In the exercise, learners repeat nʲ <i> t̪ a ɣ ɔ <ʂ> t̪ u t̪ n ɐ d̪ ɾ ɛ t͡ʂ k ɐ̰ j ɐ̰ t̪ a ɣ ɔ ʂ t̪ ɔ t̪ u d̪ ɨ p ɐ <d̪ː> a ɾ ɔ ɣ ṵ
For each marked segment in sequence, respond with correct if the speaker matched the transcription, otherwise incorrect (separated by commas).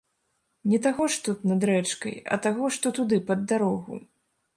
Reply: incorrect, correct, correct